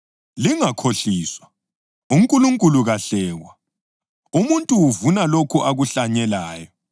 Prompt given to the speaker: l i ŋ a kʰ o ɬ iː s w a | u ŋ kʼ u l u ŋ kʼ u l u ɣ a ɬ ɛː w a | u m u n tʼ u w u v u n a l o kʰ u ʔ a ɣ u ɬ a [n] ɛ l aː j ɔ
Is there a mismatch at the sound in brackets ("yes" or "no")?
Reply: yes